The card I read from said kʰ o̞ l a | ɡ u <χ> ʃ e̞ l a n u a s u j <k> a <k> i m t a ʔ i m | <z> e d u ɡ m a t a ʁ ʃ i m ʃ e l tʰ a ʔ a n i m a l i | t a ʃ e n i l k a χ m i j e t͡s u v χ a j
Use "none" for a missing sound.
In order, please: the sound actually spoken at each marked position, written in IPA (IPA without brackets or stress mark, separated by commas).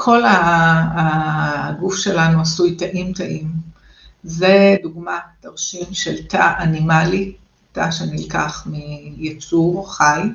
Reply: f, t, ʔ, z